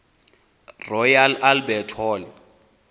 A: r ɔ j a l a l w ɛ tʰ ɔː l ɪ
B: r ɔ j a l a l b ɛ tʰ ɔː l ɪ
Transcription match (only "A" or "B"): B